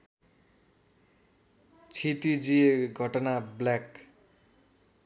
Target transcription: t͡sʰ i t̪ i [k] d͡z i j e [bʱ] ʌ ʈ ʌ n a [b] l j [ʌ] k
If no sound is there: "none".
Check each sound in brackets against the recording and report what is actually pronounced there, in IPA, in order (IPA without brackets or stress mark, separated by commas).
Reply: none, ɡʱ, b, a